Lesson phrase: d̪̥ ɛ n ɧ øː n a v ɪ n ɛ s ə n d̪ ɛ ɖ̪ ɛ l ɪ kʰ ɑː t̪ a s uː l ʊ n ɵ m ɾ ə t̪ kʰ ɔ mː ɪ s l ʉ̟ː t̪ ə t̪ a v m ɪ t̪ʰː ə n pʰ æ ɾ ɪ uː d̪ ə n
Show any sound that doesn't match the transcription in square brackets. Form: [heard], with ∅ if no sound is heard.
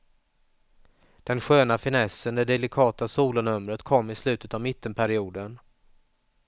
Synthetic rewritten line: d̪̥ ɛ n ɧ øː n a [f] ɪ n ɛ s ə n d̪ ɛ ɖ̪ ɛ l ɪ kʰ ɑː t̪ a s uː l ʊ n ɵ m ɾ ə t̪ kʰ ɔ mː ɪ s l ʉ̟ː t̪ ə t̪ a v m ɪ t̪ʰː ə n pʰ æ ɾ ɪ uː d̪ ə n